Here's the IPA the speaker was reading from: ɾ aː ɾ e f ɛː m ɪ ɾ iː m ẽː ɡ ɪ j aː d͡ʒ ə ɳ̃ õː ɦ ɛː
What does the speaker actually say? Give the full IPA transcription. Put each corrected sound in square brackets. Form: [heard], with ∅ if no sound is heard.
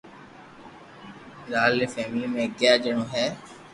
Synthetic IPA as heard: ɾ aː [l] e f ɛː m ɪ [l] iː m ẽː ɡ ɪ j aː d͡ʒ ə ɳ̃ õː ɦ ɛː